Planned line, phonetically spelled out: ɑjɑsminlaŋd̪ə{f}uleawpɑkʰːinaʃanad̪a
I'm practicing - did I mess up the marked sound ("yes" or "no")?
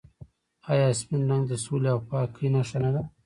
yes